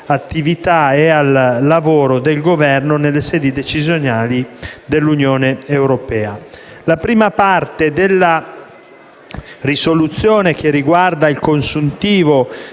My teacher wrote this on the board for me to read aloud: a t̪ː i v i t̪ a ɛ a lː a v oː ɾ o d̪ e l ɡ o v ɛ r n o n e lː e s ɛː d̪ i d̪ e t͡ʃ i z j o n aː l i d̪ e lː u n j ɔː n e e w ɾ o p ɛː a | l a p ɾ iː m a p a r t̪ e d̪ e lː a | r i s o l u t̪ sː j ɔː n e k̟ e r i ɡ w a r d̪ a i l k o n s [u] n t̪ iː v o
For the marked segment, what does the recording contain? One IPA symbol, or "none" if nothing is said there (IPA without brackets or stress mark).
u